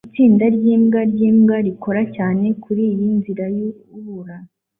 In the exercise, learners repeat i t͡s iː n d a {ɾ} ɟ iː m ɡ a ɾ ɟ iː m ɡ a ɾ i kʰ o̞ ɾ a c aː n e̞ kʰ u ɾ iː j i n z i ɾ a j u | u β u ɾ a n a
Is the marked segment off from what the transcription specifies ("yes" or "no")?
no